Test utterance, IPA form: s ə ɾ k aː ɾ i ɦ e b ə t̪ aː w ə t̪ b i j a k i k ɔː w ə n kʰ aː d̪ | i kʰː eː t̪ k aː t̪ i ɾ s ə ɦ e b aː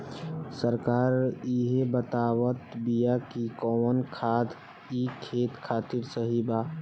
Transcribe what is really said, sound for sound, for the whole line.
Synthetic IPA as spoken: s ə ɾ k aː ɾ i ɦ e b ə t̪ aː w ə t̪ b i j a k i k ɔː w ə n kʰ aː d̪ | i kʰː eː t̪ kʰ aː t̪ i ɾ s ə ɦ i b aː